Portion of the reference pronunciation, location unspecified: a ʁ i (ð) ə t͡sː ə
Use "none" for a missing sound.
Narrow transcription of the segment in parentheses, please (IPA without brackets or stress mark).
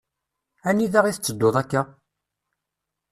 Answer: θ